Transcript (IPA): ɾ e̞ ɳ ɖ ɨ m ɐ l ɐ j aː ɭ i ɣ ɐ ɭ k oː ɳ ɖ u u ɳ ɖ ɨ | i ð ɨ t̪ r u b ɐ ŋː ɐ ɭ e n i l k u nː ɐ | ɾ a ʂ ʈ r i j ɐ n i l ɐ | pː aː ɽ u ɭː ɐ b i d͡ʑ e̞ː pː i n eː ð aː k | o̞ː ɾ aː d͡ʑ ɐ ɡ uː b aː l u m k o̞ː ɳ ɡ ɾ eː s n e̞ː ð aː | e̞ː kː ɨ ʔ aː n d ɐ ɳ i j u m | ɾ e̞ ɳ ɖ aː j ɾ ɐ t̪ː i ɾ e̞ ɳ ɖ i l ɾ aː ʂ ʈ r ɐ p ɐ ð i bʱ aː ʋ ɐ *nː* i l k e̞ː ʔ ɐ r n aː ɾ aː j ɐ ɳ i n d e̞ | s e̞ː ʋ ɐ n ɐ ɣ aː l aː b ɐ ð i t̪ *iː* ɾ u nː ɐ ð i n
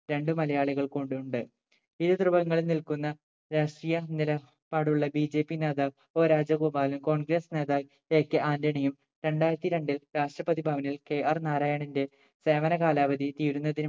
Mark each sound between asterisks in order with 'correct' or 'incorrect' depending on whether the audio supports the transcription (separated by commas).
incorrect, correct